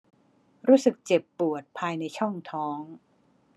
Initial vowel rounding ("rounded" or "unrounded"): rounded